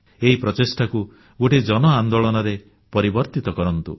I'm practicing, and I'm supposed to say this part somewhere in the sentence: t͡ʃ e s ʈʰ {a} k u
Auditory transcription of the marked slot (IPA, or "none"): a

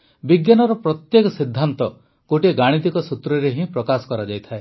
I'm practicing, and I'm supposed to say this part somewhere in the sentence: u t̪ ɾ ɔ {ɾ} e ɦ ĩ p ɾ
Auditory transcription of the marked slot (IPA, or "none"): ɾ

